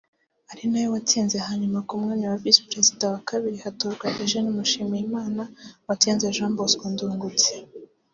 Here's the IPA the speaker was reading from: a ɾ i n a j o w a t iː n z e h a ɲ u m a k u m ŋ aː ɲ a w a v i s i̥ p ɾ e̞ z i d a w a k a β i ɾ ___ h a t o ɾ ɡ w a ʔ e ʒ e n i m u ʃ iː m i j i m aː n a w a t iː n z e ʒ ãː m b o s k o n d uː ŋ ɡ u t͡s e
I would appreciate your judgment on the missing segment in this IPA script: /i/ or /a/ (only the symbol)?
i